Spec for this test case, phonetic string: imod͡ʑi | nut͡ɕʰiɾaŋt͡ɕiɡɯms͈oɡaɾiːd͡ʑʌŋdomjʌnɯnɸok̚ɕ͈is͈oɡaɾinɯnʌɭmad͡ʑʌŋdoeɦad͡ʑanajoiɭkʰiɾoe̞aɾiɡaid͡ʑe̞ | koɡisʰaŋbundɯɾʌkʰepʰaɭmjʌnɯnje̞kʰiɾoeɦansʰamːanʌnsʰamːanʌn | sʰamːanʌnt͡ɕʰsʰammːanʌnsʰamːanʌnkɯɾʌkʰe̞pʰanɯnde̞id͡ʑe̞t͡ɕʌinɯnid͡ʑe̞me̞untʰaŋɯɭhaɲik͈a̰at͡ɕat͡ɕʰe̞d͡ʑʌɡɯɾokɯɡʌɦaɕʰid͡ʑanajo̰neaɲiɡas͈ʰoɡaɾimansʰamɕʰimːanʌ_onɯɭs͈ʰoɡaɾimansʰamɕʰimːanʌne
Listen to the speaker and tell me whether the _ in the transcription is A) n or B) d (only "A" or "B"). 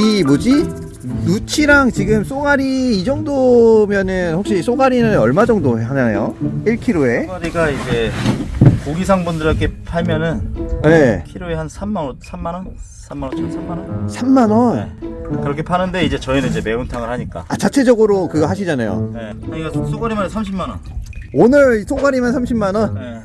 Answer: A